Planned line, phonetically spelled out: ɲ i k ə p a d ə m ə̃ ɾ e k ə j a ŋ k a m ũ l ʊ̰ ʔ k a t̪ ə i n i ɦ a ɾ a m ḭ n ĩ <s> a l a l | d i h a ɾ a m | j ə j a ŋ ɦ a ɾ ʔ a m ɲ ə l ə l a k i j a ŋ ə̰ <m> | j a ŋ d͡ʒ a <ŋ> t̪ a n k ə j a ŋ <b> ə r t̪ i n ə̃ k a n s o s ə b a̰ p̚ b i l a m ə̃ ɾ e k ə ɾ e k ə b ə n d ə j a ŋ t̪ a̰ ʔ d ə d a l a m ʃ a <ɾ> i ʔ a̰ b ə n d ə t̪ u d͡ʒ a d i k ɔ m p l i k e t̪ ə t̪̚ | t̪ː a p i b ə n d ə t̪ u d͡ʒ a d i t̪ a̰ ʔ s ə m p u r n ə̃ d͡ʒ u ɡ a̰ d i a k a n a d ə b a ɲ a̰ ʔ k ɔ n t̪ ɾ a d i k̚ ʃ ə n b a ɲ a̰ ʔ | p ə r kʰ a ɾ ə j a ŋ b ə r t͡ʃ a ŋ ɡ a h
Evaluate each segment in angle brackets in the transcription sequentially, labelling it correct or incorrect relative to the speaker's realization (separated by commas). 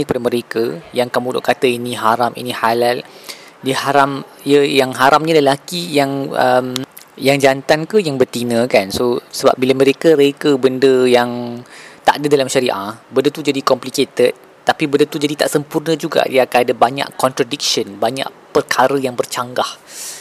incorrect, correct, incorrect, correct, correct